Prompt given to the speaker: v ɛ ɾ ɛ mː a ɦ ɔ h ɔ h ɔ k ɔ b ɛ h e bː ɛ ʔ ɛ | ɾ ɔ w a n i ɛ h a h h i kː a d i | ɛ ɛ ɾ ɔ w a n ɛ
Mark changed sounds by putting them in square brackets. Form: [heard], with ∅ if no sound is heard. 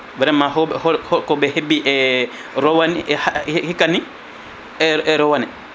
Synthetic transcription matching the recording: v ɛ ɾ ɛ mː a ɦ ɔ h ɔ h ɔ k ɔ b ɛ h e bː [i] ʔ ɛ | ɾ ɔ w a n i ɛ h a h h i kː a [n] i | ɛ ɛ ɾ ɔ w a n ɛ